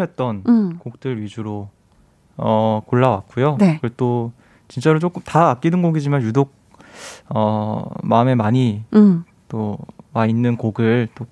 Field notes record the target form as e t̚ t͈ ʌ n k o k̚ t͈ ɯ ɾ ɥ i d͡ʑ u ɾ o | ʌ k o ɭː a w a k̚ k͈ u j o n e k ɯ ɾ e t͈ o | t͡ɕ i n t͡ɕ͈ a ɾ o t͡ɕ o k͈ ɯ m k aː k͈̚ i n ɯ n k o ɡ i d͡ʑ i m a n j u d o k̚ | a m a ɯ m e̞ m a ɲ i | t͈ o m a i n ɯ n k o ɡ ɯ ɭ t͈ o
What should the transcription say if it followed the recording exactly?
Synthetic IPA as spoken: e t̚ t͈ ʌ n k o k̚ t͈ ɯ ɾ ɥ i d͡ʑ u ɾ o | ʌ k o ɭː a w a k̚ k͈ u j o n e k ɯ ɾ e t͈ o | t͡ɕ i n t͡ɕ͈ a ɾ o t͡ɕ o k͈ ɯ m t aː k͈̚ i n ɯ n ɡ o ɡ i d͡ʑ i m a n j u d o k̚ | ʌ m a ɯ m e̞ m a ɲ i | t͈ o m a i nː ɯ n k o ɡ ɯ ɭ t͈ o